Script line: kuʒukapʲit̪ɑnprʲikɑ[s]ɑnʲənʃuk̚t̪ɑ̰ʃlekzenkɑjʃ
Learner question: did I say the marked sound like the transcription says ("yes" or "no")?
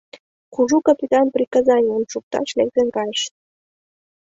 no